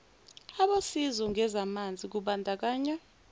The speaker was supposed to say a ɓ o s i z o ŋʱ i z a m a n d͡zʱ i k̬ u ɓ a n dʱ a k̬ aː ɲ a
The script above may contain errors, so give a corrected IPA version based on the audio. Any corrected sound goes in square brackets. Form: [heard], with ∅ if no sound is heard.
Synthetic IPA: a ɓ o s i z [ɔ] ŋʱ [ɛ] z a m a n d͡zʱ i k̬ u ɓ a n dʱ a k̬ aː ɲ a